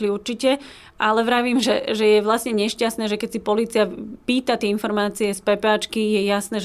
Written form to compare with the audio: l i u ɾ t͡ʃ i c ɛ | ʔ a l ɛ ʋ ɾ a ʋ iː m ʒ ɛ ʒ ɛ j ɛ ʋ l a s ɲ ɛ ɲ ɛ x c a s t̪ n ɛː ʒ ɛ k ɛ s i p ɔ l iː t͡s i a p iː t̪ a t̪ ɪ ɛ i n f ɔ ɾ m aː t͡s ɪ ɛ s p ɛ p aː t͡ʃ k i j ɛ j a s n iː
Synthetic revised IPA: l i u ɾ t͡ʃ i c ɛ | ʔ a l ɛ ʋ ɾ a ʋ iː m ʒ ɛ ʒ ɛ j ɛ ʋ l a s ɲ ɛ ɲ ɛ ʃ c a s t̪ n ɛː ʒ ɛ k ɛ s i p ɔ l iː t͡s i a p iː t̪ a t̪ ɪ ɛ i n f ɔ ɾ m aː t͡s i ɛ s p ɛ p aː t͡ʃ k i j ɛ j a s n ɛː